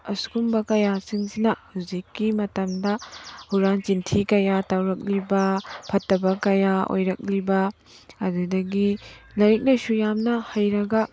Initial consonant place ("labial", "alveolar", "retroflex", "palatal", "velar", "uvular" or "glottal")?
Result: alveolar